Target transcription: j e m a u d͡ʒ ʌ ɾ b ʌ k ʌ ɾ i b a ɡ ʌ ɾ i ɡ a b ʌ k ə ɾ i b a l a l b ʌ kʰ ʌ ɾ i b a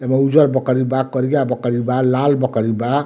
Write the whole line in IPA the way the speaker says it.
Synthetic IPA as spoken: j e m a u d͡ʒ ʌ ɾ b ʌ k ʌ ɾ i b a k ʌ ɾ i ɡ a b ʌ k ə ɾ i b a l a l b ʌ k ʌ ɾ i b a